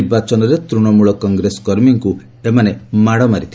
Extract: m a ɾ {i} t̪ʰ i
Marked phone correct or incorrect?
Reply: correct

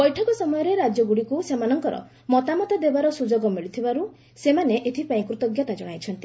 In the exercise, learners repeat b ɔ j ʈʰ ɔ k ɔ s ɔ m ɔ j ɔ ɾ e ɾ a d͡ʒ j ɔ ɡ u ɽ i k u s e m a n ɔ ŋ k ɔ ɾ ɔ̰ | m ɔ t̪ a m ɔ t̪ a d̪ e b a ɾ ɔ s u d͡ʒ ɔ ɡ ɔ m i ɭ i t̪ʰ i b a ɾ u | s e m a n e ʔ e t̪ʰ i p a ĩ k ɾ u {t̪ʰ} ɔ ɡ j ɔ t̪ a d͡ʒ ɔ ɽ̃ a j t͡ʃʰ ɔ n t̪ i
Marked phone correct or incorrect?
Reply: incorrect: t̪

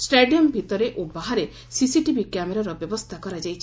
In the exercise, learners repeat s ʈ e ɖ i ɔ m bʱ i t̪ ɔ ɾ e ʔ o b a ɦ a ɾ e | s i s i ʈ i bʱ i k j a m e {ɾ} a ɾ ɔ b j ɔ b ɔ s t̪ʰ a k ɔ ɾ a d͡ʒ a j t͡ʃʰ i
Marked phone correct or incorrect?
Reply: correct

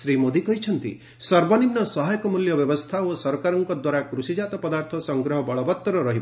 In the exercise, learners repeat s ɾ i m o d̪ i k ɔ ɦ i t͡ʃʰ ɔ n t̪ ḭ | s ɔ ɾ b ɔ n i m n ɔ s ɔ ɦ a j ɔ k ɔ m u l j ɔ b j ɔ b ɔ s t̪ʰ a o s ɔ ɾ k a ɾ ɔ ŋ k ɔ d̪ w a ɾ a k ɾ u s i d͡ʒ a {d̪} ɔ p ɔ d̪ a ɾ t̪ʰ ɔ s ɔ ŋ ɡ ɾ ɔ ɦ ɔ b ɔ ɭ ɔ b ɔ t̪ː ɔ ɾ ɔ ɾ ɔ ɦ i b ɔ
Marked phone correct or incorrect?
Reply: incorrect: t̪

